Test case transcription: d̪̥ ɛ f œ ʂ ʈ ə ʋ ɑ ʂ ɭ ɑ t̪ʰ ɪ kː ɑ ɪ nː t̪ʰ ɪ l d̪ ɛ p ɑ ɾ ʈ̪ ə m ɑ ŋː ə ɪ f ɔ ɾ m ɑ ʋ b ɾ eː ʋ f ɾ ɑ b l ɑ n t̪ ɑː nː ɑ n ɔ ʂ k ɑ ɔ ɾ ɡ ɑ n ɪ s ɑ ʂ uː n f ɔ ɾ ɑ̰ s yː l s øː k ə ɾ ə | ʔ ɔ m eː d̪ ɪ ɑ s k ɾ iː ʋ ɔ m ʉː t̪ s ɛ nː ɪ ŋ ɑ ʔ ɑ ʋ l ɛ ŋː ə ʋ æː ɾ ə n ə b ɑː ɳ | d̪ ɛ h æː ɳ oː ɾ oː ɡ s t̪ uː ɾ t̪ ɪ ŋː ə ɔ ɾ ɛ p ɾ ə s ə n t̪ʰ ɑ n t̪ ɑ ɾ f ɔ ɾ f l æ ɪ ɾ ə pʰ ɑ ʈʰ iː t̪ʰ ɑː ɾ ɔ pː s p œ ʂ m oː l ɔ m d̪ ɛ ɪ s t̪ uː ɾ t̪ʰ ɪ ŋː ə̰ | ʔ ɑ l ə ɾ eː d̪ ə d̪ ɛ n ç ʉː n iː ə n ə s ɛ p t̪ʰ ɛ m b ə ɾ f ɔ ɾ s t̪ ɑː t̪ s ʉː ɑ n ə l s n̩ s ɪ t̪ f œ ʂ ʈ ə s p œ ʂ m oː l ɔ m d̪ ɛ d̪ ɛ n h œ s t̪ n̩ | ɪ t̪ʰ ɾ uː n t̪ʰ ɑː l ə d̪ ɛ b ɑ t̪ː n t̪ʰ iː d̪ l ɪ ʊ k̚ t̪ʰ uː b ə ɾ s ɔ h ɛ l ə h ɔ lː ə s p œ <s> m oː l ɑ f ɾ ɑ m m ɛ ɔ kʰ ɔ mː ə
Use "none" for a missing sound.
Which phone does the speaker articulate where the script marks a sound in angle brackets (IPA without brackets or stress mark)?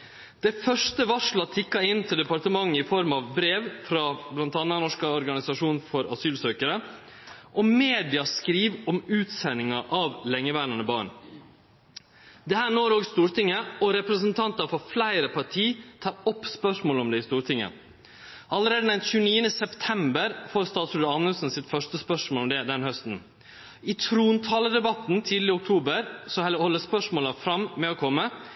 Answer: ʂ